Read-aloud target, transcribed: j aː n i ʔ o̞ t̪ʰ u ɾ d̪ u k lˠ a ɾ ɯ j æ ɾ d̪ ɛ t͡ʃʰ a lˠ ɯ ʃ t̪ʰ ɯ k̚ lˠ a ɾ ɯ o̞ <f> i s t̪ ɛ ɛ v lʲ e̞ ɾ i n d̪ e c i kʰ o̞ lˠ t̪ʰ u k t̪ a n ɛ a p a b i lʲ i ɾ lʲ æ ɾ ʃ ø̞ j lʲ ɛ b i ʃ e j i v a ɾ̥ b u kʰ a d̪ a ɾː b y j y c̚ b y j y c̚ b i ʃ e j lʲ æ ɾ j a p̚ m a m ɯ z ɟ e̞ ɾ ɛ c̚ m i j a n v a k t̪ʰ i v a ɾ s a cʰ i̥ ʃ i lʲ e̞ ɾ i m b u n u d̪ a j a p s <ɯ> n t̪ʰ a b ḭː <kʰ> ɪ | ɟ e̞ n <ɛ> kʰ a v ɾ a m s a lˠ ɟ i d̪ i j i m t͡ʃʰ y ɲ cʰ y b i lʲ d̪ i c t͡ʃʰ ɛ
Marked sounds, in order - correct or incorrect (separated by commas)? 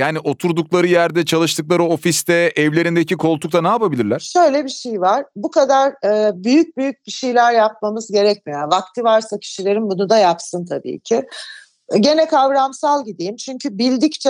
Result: correct, correct, incorrect, correct